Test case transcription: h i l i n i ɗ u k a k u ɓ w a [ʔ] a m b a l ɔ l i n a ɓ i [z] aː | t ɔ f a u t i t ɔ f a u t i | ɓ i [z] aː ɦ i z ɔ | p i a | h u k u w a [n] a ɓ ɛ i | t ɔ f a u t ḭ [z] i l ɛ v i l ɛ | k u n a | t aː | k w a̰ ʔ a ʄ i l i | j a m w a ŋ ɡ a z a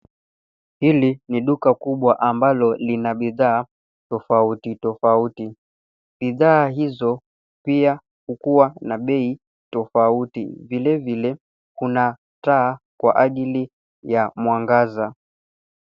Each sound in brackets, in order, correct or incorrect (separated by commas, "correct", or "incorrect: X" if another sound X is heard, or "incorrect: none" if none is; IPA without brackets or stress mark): correct, incorrect: ð, incorrect: ð, correct, incorrect: v